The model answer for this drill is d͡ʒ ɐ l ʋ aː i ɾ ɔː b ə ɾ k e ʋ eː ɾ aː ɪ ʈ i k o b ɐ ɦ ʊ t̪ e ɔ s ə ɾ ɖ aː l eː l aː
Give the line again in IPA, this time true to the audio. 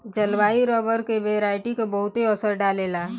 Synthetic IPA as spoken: d͡ʒ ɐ l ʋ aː i ɾ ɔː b ə ɾ k e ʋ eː ɾ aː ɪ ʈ i k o b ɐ ɦ ʊ t̪ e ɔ s ə ɾ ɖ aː l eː l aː